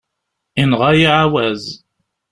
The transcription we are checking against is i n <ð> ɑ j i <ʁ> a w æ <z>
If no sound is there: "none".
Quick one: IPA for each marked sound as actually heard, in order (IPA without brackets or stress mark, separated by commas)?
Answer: ʁ, ʕ, z